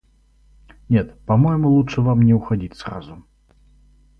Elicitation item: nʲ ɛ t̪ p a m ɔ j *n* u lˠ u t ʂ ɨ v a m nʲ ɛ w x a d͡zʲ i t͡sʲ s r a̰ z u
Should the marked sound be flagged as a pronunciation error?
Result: yes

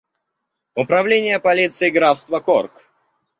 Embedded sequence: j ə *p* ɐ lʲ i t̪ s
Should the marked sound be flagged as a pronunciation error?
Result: no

